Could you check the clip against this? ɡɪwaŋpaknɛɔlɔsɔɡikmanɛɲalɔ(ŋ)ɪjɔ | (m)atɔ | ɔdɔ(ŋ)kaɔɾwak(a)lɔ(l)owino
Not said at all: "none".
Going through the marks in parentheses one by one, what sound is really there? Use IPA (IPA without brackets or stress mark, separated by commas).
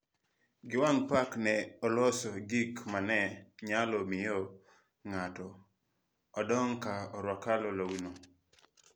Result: m, ŋ, ŋ, a, l